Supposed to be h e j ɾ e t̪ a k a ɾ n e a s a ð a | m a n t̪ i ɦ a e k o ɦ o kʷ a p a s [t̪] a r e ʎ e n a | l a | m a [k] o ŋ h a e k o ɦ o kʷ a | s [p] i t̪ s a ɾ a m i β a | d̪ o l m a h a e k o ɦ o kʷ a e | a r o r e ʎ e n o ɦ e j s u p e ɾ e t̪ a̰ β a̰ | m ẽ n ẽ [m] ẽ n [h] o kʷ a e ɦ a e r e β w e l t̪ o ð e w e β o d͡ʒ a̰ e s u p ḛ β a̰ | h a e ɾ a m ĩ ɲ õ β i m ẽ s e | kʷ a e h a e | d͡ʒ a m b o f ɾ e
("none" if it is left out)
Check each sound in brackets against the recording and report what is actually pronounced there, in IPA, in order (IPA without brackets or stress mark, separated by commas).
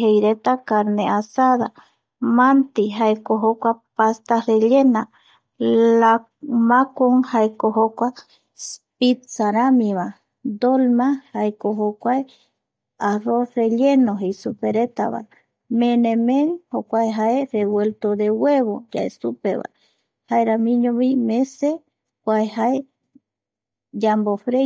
t̪, k, p, m, h